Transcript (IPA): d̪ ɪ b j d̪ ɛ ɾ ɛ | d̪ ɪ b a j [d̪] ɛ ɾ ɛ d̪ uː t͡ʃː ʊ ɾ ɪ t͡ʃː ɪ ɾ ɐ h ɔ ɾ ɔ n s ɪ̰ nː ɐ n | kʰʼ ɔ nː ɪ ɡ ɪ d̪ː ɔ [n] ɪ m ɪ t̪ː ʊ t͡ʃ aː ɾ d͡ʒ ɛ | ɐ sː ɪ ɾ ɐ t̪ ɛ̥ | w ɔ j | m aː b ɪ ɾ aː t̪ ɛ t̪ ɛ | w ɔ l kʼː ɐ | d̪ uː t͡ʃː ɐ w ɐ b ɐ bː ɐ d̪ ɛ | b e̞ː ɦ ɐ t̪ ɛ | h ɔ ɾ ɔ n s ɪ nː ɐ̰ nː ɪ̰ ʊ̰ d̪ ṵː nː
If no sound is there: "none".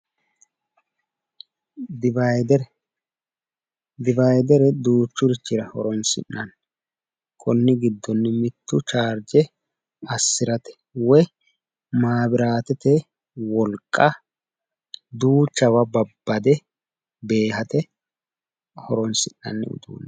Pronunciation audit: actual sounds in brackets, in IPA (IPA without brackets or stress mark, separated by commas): d̪, nː